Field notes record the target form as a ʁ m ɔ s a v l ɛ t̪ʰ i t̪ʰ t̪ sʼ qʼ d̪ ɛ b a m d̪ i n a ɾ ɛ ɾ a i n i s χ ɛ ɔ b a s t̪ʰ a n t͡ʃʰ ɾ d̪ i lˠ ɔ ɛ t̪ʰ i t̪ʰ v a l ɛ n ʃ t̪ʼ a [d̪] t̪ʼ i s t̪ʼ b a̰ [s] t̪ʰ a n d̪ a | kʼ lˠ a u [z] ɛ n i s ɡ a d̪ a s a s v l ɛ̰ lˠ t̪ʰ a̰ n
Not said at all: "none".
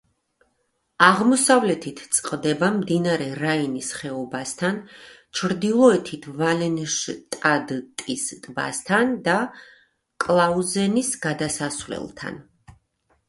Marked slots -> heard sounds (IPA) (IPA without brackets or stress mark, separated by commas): d̪, s, z